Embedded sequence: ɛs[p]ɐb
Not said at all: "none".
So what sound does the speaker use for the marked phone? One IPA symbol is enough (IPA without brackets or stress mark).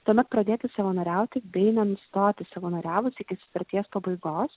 p